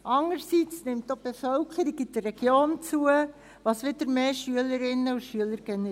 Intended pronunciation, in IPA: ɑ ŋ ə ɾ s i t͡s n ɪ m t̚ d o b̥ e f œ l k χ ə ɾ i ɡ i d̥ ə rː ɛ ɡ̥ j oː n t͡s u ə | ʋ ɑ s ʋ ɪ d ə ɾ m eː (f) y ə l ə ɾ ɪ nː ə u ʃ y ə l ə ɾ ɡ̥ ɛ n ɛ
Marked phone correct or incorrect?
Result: incorrect